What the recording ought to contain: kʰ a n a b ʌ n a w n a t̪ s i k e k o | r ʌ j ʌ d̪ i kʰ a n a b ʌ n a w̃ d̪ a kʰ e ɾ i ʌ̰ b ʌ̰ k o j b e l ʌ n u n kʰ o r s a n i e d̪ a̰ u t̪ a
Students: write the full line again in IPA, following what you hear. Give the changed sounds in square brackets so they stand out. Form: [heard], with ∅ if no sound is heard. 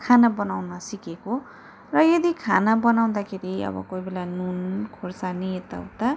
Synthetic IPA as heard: kʰ a n a b ʌ n a w n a [∅] s i k e k o | r ʌ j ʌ d̪ i kʰ a n a b ʌ n a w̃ d̪ a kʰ e ɾ i ʌ̰ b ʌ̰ k o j b e l [a] n u n kʰ o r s a n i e [t̪] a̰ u t̪ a